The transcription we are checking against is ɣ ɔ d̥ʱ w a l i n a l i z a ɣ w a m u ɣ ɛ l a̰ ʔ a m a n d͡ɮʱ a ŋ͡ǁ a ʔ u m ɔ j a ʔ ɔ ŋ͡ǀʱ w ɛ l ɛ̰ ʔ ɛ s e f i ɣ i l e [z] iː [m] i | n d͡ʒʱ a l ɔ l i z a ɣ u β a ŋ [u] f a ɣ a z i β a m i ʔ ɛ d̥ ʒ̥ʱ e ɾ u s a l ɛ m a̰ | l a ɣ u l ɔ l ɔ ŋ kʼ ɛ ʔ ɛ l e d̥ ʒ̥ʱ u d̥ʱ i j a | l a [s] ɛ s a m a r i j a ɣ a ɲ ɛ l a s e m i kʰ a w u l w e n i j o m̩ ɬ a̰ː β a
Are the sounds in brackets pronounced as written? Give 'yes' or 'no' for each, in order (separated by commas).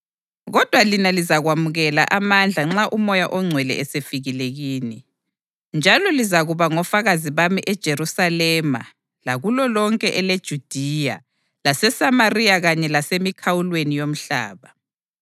no, no, no, yes